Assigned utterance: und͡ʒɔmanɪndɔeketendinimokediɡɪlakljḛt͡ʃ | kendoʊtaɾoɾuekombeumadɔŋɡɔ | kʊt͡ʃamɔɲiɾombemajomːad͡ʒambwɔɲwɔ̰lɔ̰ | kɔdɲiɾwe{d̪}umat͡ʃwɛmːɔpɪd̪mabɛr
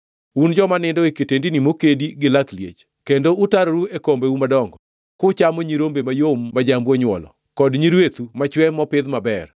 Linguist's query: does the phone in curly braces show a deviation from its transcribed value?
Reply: yes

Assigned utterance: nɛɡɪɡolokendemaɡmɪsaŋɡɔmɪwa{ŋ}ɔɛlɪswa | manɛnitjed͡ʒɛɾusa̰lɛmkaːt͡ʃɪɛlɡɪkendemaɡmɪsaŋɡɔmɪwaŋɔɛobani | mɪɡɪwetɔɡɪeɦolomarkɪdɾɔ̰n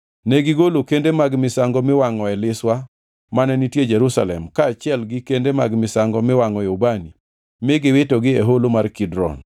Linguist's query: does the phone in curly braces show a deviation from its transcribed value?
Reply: no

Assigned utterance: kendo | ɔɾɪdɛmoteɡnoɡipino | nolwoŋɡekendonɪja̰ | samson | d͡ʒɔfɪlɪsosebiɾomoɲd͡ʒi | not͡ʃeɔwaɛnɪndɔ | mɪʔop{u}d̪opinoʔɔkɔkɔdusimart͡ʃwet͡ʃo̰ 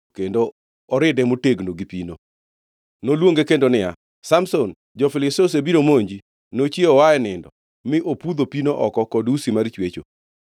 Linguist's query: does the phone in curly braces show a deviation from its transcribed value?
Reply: no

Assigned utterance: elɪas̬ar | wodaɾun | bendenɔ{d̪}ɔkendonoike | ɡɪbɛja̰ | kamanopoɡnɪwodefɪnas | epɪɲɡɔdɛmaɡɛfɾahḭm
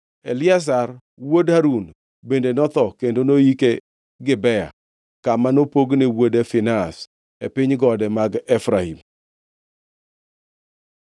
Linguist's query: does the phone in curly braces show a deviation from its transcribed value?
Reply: yes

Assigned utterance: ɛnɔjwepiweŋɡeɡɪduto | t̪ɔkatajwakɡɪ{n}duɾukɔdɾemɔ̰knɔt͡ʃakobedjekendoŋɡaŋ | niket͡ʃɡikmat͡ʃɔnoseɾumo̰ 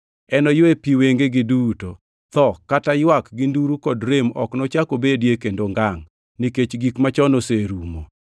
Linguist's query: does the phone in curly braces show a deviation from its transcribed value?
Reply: no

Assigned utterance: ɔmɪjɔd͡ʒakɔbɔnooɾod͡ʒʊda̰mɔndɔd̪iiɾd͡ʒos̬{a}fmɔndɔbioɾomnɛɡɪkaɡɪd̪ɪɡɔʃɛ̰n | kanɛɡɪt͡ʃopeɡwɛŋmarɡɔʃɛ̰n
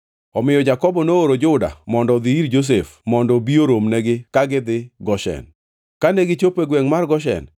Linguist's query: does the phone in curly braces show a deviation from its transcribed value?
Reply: yes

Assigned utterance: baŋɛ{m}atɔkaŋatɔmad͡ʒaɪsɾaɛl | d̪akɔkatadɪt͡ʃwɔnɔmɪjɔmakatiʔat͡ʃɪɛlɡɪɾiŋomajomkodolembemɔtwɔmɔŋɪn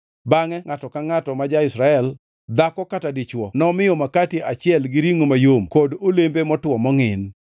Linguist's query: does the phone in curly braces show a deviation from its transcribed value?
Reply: yes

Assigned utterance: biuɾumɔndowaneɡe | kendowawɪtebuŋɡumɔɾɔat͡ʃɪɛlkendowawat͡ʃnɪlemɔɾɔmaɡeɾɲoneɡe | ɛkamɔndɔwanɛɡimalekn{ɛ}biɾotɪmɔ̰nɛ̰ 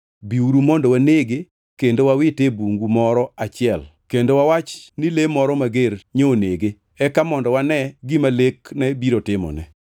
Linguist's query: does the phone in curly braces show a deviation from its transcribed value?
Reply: no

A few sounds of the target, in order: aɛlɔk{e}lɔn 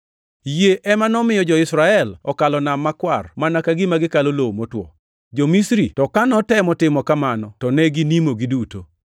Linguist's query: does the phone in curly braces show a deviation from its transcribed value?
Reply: yes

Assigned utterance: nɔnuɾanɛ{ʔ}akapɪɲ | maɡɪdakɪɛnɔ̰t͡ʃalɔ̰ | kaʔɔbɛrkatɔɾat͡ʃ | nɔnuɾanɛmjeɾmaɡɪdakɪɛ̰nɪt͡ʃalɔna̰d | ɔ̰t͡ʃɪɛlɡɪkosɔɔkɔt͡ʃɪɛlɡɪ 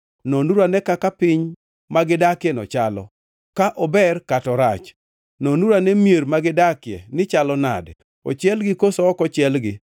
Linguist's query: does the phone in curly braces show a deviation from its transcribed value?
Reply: yes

